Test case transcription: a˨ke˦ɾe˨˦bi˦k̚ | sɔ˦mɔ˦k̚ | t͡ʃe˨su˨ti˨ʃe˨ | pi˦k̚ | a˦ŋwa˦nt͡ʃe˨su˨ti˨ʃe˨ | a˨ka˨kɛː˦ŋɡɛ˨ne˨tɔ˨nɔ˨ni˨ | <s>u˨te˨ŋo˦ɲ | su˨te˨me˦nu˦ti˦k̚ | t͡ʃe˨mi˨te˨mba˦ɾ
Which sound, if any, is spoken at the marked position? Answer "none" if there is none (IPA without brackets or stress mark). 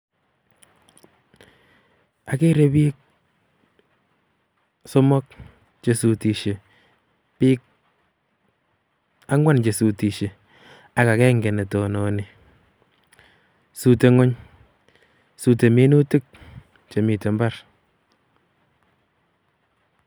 s